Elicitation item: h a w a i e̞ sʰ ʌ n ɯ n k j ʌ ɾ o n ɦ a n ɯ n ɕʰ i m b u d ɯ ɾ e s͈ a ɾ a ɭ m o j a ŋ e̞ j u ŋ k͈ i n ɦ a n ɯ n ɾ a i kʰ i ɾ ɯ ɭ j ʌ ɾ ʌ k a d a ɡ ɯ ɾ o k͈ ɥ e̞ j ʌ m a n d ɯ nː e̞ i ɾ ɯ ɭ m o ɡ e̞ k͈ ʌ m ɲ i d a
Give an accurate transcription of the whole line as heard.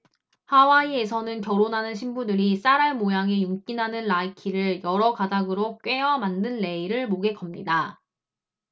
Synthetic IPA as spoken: h a w a i e̞ sʰ ʌ n ɯ n k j ʌ ɾ o n ɦ a n ɯ n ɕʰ i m b u d ɯ ɾ i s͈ a ɾ a ɭ m o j a ŋ e̞ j u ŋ k͈ i n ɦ a n ɯ n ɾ a i kʰ i ɾ ɯ ɭ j ʌ ɾ ʌ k a d a ɡ ɯ ɾ o k͈ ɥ e̞ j ʌ m a n d ɯ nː e̞ i ɾ ɯ ɭ m o ɡ e̞ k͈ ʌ m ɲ i d a